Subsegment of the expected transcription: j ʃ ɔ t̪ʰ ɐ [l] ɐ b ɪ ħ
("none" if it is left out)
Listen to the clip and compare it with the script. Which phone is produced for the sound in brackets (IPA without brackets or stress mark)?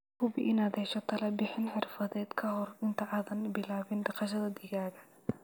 l